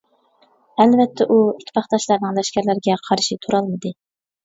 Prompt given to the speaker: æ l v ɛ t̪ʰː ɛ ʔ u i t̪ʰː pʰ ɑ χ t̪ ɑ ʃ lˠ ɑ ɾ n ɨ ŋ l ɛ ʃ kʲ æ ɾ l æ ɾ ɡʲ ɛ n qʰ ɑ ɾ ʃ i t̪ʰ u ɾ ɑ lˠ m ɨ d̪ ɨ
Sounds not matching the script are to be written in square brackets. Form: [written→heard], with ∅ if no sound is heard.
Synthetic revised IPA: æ l v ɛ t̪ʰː ɛ ʔ u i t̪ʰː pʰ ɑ χ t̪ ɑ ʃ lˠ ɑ ɾ n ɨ ŋ l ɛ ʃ kʲ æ ɾ l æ ɾ ɡʲ ɛ [n→∅] qʰ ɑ ɾ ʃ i t̪ʰ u ɾ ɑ lˠ m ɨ d̪ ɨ